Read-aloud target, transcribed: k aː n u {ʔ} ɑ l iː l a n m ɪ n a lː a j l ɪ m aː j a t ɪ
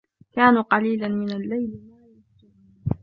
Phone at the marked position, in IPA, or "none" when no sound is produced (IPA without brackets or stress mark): q